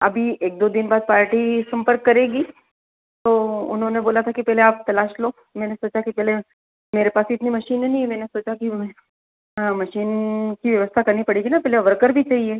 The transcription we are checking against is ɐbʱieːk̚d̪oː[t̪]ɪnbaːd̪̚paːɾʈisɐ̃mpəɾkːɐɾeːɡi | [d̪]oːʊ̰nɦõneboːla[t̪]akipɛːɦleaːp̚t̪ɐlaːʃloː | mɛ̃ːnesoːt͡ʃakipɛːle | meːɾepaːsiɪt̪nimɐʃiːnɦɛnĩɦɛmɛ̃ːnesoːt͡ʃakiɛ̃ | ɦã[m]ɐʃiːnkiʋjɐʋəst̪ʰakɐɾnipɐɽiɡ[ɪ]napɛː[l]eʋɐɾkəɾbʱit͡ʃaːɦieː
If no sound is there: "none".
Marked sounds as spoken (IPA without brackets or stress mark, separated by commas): d̪, t̪, t̪ʰ, m, i, l